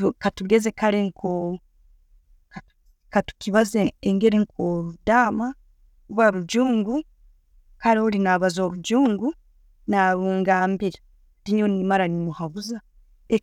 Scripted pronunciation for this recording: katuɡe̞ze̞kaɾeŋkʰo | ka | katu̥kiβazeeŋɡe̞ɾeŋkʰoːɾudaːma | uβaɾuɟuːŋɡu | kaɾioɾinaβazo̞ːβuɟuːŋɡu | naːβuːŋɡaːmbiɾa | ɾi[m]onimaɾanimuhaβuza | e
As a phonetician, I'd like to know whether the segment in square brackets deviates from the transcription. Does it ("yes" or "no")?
yes